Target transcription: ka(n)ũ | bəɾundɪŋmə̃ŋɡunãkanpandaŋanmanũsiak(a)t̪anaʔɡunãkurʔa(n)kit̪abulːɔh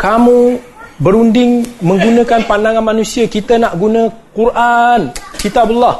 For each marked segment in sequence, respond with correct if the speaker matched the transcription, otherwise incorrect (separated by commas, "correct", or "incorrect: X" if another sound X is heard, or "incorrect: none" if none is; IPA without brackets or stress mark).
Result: incorrect: m, incorrect: i, correct